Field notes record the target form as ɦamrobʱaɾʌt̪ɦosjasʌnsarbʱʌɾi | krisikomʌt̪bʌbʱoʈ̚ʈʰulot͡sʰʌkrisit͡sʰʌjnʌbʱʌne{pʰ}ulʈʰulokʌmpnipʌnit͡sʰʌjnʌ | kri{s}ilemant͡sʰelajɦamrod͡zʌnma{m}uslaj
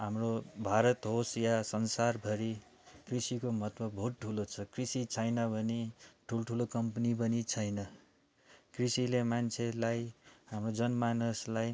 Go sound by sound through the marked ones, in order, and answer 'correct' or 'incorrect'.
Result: incorrect: ʈʰ, correct, incorrect: n

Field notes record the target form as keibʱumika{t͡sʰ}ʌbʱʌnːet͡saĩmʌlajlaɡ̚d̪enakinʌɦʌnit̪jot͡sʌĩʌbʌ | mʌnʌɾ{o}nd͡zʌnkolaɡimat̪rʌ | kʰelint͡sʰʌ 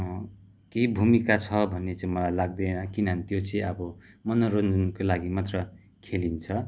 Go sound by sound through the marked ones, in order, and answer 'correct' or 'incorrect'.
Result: correct, correct

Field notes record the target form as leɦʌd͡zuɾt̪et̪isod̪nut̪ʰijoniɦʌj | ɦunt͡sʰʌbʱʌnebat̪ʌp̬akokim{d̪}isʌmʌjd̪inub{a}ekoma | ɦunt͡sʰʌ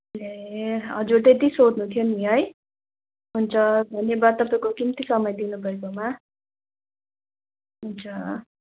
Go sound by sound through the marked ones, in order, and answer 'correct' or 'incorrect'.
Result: incorrect: t̪, incorrect: ʌ

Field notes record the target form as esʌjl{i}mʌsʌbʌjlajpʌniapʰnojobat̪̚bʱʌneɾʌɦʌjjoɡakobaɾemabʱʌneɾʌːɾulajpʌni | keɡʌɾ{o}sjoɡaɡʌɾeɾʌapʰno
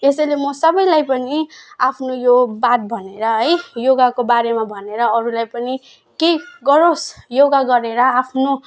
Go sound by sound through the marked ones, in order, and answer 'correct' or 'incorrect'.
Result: incorrect: e, correct

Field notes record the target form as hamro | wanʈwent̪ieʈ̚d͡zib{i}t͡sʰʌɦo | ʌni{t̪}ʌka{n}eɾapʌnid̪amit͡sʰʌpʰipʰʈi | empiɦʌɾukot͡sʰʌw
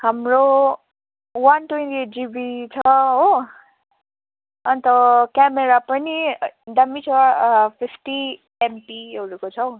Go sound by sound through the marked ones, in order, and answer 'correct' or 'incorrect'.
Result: correct, correct, incorrect: m

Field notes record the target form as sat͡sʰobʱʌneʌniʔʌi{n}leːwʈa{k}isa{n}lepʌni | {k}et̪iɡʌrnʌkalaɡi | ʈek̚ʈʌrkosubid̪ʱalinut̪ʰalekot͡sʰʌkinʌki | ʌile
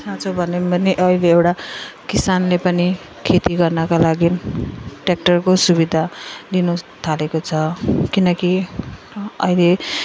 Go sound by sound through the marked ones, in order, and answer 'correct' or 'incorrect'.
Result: incorrect: none, correct, correct, incorrect: kʰ

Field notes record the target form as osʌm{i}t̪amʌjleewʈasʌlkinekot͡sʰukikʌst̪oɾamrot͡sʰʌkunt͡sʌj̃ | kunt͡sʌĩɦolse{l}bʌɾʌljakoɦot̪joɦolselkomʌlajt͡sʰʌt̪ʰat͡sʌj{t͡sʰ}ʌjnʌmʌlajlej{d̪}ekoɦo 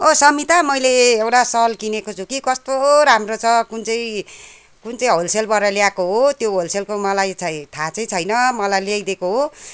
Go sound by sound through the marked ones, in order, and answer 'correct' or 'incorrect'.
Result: correct, correct, correct, correct

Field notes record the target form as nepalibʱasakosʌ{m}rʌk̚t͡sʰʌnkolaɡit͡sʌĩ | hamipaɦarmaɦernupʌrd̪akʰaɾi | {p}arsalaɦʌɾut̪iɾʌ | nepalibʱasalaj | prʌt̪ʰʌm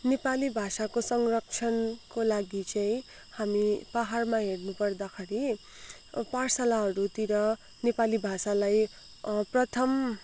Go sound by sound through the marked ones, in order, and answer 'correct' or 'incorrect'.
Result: incorrect: ŋ, correct

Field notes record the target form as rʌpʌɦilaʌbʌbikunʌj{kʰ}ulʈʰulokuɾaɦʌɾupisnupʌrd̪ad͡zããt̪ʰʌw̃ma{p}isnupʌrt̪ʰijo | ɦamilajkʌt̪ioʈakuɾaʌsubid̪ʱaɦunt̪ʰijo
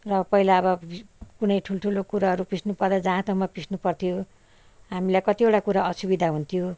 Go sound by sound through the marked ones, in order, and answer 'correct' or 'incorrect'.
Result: incorrect: ʈʰ, correct

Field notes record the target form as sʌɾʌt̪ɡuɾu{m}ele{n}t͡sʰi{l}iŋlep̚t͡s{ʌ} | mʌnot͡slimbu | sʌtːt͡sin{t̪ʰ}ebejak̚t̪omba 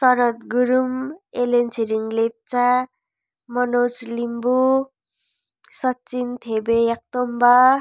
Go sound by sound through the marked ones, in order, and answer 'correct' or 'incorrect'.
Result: correct, correct, incorrect: ɾ, incorrect: a, correct

